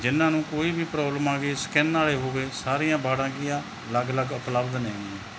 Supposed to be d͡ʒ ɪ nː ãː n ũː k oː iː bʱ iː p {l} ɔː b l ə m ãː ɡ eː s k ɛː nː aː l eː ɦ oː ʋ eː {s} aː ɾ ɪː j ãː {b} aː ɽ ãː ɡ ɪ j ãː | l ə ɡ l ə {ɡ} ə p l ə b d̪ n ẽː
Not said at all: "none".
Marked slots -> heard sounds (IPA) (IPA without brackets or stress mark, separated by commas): ɾ, s, b, ɡ